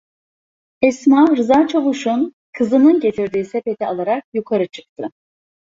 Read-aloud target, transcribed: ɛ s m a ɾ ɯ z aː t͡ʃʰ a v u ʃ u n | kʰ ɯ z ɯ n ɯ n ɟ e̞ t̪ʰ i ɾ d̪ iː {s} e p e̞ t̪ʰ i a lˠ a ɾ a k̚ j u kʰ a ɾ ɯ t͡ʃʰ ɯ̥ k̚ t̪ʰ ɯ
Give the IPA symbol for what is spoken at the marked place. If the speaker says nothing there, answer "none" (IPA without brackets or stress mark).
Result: s